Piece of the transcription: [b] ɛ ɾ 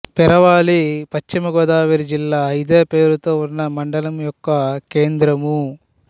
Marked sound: incorrect: p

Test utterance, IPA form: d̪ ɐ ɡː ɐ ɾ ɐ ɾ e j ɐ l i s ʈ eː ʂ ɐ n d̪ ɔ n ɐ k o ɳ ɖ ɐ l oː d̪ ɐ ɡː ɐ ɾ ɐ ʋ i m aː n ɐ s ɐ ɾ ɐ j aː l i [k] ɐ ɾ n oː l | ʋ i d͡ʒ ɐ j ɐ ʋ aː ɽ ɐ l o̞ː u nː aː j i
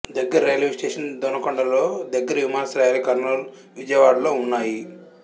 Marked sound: correct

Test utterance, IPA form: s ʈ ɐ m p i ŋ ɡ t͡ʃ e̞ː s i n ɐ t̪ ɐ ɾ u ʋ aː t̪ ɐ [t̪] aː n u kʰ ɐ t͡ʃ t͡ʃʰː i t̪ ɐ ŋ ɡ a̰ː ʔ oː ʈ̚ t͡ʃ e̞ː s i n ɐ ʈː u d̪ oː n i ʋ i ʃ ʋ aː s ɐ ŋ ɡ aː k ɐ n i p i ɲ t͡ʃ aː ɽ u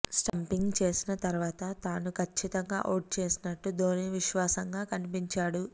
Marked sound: correct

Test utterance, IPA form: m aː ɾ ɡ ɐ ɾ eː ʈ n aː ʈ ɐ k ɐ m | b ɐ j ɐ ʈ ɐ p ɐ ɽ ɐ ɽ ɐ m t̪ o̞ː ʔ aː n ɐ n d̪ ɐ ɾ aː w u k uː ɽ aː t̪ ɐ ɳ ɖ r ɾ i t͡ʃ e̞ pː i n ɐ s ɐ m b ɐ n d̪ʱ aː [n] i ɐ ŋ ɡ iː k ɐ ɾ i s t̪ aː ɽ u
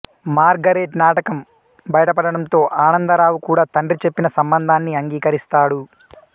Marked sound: incorrect: nː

